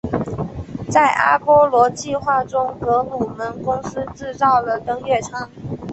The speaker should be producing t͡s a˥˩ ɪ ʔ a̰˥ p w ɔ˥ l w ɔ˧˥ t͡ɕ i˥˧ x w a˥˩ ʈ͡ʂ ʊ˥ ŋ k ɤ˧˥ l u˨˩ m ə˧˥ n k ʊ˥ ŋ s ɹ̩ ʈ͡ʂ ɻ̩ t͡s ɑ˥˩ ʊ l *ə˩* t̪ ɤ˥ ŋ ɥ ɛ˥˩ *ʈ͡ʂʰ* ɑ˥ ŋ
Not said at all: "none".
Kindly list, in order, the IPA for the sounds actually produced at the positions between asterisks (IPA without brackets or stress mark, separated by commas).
ə˩, ʈ͡ʂʰ